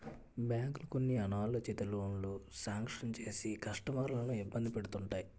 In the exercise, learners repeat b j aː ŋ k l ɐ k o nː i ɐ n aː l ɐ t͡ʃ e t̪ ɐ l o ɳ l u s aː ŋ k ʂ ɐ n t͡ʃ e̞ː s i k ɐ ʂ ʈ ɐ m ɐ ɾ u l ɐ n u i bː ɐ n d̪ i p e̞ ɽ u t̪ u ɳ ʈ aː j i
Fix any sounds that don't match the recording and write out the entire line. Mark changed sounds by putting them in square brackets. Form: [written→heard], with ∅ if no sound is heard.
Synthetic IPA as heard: b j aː ŋ k l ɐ k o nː i ɐ n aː l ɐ t͡ʃ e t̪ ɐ l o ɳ l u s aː ŋ k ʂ ɐ n t͡ʃ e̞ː s i k ɐ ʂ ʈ ɐ m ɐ ɾ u l ɐ n u i bː ɐ n d̪ i p e̞ ɽ u t̪ u ɳ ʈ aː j i